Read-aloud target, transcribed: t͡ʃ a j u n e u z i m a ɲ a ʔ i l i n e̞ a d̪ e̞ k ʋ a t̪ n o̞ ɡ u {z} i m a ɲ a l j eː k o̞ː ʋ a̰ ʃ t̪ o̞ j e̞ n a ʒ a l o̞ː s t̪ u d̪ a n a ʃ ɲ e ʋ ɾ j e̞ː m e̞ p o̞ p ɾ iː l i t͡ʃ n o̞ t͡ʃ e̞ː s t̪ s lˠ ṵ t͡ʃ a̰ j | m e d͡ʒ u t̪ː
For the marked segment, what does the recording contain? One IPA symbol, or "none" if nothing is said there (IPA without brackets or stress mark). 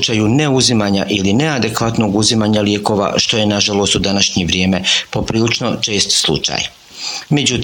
z